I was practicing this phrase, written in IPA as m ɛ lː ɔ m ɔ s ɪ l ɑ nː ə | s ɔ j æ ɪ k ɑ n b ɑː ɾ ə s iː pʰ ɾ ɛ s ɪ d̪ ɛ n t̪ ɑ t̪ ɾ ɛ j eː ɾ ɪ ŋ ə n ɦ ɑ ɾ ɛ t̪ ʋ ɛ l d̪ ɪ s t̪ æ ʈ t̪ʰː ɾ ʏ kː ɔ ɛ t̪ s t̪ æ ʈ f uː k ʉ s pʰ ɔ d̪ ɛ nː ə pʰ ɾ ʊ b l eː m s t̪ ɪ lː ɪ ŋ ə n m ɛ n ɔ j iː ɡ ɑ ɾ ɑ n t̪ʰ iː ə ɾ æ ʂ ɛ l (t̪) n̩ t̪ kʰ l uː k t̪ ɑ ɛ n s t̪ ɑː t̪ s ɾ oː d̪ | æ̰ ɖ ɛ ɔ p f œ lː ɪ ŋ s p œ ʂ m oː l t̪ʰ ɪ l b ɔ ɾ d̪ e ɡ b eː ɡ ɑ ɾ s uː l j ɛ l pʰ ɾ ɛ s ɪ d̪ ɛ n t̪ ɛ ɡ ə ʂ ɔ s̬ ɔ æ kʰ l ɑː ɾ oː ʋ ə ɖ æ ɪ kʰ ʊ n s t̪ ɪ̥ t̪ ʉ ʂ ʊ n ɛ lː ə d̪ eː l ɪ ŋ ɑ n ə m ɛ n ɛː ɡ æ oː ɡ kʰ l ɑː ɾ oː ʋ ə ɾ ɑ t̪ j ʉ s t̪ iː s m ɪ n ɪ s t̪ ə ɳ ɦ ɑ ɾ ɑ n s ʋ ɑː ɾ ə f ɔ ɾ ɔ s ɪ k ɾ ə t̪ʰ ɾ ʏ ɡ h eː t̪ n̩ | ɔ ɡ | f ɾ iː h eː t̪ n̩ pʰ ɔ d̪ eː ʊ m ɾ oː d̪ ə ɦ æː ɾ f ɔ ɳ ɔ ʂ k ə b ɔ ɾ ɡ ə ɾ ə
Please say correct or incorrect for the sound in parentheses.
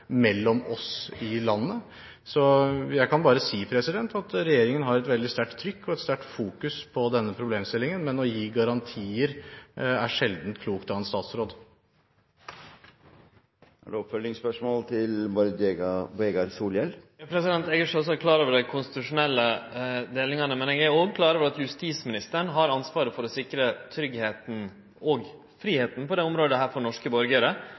incorrect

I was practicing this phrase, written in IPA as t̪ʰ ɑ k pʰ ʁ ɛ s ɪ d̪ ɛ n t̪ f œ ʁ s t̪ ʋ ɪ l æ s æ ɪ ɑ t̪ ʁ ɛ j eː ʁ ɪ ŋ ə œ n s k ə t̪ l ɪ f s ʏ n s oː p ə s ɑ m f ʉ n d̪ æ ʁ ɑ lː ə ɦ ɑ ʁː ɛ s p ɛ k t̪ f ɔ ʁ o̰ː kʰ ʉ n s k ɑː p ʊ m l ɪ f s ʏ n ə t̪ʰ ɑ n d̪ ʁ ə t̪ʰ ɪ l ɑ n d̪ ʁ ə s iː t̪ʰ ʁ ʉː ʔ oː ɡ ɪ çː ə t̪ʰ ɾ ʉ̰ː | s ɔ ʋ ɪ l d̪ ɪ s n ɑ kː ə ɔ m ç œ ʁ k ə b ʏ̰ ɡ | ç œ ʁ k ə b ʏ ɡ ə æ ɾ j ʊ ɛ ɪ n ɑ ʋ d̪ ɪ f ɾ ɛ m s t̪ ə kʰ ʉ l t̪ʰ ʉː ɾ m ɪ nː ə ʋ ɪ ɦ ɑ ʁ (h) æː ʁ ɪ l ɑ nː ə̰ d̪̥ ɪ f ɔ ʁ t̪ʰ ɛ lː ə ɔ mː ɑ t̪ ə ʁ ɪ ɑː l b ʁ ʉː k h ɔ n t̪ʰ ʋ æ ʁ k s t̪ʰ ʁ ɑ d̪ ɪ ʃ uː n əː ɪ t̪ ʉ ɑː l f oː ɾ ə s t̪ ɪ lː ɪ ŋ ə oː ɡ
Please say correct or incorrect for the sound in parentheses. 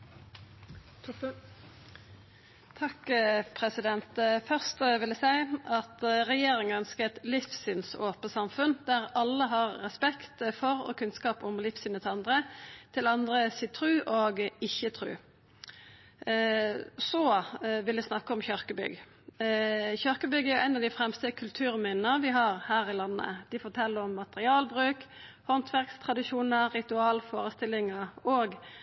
correct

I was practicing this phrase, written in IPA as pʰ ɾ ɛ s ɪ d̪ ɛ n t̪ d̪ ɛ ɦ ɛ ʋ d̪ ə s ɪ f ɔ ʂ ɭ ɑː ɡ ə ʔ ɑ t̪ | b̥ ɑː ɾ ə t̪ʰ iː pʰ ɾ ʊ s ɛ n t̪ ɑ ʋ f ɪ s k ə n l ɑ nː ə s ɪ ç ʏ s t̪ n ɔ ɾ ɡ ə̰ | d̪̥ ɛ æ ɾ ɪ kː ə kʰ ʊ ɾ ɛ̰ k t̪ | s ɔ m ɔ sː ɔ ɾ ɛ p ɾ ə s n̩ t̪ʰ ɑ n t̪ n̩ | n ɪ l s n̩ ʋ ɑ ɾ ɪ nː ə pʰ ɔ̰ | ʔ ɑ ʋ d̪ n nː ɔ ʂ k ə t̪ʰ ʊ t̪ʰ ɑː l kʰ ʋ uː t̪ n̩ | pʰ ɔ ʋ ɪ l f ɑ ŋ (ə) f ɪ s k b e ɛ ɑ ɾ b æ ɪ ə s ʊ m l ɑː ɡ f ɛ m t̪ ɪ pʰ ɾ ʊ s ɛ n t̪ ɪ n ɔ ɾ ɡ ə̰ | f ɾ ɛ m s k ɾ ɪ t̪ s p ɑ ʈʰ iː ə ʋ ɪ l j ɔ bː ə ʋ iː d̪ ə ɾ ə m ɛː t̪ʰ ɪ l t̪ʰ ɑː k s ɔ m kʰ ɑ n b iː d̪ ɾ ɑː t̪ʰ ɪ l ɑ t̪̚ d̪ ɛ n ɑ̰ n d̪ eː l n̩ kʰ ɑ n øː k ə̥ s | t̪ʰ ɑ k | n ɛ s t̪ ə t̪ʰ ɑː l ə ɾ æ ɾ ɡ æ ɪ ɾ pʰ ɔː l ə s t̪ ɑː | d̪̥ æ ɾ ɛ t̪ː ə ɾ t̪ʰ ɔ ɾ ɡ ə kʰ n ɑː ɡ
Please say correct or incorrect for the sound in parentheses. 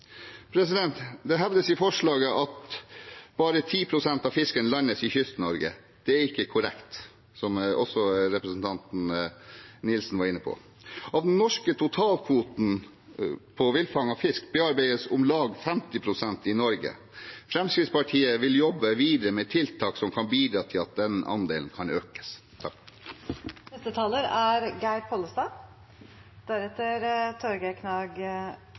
incorrect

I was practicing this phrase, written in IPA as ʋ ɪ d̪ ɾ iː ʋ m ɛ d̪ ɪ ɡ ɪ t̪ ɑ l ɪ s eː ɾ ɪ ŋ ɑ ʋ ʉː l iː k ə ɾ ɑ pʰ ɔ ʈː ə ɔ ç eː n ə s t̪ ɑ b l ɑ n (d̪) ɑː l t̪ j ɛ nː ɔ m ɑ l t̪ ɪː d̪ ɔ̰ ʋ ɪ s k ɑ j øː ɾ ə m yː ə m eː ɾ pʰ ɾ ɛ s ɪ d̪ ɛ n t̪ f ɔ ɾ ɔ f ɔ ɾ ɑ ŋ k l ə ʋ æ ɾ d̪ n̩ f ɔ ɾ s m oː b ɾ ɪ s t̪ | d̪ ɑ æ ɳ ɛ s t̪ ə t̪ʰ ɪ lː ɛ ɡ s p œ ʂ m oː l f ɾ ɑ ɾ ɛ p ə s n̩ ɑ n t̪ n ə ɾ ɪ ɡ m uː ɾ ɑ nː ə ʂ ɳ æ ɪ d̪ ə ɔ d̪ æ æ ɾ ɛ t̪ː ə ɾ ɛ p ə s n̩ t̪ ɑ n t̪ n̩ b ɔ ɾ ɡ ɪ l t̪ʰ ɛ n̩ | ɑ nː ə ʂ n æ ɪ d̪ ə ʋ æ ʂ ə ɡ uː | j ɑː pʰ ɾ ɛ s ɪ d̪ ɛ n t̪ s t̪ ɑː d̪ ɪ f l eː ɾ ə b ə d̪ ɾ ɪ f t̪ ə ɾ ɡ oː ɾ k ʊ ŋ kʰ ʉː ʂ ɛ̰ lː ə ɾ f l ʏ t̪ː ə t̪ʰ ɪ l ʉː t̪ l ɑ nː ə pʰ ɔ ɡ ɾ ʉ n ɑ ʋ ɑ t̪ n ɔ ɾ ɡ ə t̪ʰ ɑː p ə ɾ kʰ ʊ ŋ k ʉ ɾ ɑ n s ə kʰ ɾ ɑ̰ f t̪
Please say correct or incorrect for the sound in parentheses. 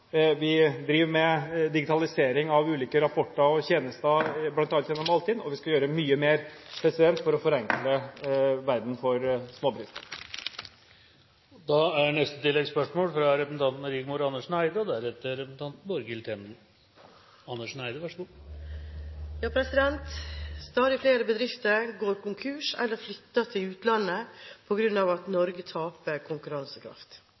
incorrect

